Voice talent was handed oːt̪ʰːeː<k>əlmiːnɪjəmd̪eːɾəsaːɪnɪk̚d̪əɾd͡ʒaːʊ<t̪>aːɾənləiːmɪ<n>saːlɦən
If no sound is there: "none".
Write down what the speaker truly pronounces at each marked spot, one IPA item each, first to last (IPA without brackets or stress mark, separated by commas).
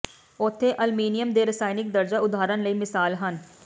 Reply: ʔ, d̪, none